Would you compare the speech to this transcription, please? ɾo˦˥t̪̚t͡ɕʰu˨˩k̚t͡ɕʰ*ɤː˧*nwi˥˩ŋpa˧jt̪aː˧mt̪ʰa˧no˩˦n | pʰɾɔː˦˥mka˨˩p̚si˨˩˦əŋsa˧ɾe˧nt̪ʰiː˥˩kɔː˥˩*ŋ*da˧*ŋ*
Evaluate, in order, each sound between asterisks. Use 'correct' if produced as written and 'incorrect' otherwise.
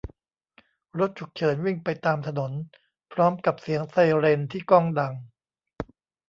incorrect, correct, correct

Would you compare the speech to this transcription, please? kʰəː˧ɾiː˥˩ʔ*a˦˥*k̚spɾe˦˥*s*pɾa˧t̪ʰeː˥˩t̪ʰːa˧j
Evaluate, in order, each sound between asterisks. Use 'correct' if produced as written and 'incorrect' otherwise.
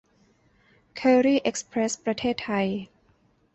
incorrect, correct

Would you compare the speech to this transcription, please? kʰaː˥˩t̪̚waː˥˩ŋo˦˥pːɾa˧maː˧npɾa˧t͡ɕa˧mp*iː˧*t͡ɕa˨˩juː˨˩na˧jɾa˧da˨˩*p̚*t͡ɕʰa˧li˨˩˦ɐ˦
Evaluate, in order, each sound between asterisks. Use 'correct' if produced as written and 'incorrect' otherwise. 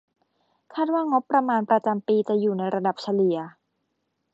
correct, correct

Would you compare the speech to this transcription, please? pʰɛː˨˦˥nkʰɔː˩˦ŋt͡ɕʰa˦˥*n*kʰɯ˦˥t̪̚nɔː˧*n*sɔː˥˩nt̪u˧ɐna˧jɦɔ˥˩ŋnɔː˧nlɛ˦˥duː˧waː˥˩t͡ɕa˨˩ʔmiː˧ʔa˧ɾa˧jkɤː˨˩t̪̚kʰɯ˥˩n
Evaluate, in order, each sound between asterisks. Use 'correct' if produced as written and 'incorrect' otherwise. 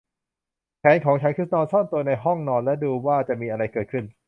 correct, correct

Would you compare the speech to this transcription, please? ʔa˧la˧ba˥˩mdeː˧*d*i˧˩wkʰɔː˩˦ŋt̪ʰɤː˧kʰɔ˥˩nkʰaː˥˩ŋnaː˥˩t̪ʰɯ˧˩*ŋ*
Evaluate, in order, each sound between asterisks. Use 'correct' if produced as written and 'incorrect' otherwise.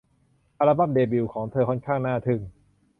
incorrect, correct

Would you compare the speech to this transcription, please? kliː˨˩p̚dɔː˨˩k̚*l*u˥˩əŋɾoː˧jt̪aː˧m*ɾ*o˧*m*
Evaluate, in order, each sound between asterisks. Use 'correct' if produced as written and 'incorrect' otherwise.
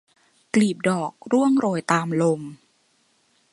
incorrect, incorrect, correct

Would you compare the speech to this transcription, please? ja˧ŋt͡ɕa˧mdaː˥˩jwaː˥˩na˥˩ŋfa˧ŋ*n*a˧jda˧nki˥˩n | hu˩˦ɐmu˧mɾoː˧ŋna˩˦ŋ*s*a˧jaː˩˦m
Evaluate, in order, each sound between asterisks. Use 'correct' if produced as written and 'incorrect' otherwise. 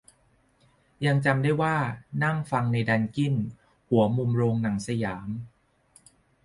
correct, correct

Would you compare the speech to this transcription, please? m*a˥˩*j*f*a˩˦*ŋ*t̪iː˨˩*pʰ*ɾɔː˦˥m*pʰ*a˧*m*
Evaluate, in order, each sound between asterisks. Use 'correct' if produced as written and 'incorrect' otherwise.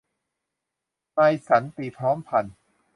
incorrect, incorrect, incorrect, correct, correct, incorrect

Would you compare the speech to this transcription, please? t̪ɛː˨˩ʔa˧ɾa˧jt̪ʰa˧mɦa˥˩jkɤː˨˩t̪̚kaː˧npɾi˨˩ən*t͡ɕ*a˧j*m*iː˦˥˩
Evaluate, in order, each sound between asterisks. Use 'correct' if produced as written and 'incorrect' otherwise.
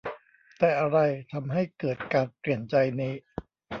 correct, incorrect

